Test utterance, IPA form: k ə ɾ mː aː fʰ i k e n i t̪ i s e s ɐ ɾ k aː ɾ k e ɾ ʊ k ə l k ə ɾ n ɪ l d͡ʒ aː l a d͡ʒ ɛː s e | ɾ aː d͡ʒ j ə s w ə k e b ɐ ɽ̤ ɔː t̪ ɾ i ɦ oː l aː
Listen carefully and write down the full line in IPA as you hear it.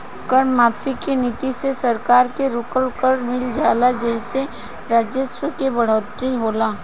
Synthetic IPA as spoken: k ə ɾ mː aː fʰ i k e n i t̪ i s e s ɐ ɾ k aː ɾ k e ɾ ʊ k ə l k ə ɾ m ɪ l d͡ʒ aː l a d͡ʒ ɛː s e | ɾ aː d͡ʒ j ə s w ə k e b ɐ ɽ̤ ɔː t̪ ɾ i ɦ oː l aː